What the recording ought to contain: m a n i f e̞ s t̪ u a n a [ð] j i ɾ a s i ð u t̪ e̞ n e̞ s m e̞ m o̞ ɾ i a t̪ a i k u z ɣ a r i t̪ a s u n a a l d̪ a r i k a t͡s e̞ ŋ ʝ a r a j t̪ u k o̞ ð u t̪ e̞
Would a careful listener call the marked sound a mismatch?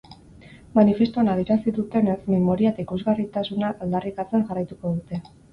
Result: no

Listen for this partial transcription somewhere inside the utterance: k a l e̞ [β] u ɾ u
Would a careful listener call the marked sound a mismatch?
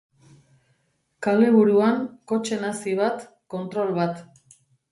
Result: no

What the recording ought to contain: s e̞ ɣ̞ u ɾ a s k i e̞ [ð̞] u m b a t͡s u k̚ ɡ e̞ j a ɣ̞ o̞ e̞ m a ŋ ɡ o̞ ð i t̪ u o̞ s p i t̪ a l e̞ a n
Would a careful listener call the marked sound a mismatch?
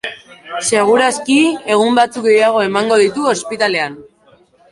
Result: yes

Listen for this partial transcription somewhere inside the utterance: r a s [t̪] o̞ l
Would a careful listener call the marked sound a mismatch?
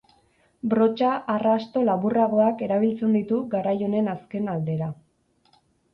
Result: no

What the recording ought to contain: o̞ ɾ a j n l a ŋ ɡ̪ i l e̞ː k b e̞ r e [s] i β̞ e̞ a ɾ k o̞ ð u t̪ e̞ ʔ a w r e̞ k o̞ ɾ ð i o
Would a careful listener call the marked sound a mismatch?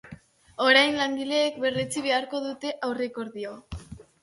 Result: yes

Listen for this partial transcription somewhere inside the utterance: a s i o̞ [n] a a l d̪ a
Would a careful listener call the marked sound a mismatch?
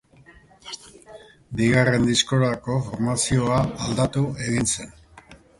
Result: yes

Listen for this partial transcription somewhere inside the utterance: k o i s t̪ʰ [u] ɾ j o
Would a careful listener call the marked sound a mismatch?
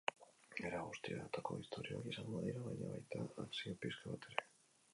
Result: yes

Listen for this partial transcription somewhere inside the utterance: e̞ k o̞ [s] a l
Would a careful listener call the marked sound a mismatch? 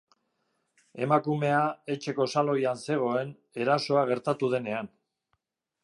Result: no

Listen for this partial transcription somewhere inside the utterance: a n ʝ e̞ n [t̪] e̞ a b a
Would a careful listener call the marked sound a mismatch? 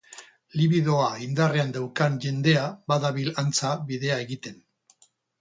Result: yes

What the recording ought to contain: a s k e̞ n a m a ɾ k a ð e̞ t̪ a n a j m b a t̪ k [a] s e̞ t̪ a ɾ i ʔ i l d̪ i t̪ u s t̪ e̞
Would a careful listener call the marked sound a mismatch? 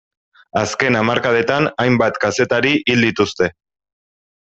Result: no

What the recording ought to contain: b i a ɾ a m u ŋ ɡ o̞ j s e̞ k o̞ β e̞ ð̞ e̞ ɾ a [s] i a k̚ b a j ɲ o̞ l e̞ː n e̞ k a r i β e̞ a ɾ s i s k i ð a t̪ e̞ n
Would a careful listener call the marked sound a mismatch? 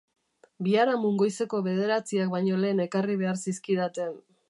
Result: yes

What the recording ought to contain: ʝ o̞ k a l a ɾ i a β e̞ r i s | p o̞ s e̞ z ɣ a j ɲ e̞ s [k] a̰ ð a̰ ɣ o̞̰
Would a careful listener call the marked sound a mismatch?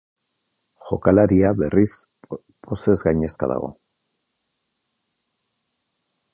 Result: no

